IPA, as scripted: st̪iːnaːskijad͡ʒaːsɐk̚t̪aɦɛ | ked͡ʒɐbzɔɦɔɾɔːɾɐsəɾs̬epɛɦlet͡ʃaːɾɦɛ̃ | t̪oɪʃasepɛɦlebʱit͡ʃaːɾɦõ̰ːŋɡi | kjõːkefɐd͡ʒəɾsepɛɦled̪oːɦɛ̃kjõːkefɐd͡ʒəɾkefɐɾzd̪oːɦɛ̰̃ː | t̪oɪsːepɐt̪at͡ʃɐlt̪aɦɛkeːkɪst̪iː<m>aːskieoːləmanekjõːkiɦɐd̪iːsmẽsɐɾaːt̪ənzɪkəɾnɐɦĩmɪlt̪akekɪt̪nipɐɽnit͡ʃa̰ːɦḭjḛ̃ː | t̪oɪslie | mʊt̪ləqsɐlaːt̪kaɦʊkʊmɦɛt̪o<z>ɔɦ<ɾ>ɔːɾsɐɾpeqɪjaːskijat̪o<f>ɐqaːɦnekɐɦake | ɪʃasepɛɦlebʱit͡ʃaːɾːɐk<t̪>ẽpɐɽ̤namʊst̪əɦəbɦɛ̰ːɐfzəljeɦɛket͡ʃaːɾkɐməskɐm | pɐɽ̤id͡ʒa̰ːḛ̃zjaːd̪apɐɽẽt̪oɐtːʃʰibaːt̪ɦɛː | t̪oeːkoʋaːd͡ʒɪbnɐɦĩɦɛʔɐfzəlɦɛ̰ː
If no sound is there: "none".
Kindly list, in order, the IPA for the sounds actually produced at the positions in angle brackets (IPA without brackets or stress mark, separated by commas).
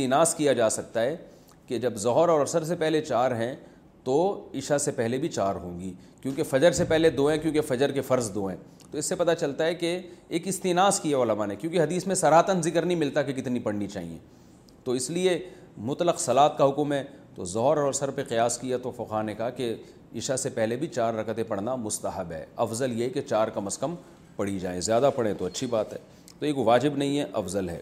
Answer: n, z, ɾ, f, t̪